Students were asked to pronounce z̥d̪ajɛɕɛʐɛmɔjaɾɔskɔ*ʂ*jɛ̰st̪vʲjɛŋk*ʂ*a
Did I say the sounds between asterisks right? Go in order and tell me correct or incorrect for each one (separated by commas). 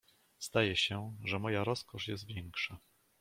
correct, correct